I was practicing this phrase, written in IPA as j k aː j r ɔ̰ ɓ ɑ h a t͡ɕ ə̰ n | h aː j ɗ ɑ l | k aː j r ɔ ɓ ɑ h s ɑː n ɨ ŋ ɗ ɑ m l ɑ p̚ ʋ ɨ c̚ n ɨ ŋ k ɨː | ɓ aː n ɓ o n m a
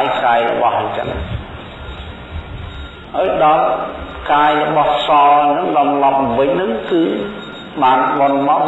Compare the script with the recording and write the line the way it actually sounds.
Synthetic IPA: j k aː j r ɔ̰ ɓ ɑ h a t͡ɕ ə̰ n | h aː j ɗ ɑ l | k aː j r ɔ ɓ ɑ h s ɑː n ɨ ŋ ɗ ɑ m l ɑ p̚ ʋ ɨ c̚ n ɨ ŋ k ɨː | ɓ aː n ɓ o n m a